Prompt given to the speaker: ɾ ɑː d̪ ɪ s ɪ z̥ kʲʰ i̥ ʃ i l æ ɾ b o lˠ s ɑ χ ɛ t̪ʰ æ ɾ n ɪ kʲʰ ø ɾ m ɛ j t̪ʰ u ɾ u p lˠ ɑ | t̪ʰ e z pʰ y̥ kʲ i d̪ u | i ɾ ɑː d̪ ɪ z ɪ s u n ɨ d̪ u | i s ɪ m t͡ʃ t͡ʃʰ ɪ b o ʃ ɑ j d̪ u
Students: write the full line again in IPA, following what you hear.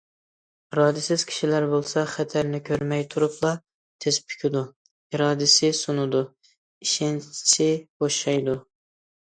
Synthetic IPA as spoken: ɾ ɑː d̪ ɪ s ɪ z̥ kʲʰ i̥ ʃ i l æ ɾ b o lˠ s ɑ χ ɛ t̪ʰ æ ɾ n ɪ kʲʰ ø ɾ m ɛ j t̪ʰ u ɾ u p lˠ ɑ | t̪ʰ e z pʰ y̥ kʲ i d̪ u | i ɾ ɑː d̪ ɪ s ɪ s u n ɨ d̪ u | i ʃ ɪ n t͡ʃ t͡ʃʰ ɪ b o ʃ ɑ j d̪ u